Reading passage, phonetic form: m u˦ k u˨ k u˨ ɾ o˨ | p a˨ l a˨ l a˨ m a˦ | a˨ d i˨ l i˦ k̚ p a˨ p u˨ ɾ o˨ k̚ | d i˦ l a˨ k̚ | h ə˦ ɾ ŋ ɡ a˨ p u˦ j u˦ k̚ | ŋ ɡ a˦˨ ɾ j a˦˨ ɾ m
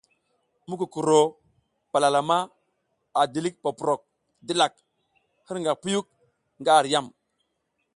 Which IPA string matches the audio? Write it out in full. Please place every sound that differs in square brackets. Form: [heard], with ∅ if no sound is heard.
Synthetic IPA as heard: m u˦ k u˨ k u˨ ɾ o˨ | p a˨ l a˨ l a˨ m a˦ | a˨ d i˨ l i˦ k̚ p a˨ p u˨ ɾ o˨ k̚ | d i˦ l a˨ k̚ | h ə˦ ɾ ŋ ɡ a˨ p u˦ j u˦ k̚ | ŋ ɡ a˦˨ ɾ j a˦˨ [∅] m